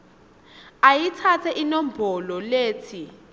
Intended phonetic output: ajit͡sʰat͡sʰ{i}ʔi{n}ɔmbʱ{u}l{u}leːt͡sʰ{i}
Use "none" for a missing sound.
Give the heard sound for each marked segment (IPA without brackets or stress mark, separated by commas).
ɛ, n, ɔ, ɔ, i